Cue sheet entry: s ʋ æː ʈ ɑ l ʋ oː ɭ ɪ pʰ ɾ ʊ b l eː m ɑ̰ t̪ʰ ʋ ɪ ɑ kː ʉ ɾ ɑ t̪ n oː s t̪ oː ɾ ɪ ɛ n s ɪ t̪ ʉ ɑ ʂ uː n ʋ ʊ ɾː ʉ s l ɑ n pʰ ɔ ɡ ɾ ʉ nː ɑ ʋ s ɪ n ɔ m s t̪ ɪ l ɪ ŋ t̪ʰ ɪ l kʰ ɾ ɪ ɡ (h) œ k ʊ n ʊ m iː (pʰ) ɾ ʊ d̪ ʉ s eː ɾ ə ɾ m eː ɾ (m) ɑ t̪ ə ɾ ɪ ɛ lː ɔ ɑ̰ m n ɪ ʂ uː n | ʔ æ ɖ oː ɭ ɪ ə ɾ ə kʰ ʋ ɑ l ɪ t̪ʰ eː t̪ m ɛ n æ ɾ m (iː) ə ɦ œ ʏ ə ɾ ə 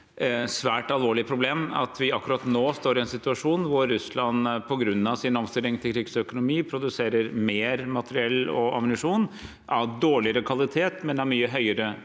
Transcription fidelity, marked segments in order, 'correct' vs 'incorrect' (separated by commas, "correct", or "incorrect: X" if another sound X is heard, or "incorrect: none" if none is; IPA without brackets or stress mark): incorrect: s, correct, correct, incorrect: yː